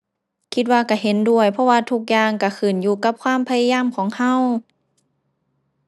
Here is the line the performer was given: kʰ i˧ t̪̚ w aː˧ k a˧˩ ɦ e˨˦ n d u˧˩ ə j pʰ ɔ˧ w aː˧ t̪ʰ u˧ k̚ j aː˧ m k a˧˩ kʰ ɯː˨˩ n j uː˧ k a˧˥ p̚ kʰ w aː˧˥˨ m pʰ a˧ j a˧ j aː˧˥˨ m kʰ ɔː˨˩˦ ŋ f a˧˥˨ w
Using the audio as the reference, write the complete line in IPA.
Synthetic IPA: kʰ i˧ t̪̚ w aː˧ k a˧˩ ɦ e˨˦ n d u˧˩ ə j pʰ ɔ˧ w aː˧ t̪ʰ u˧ k̚ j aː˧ ŋ k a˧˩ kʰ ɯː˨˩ n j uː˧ k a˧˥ p̚ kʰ w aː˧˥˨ m pʰ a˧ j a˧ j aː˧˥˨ m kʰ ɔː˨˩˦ ŋ h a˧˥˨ w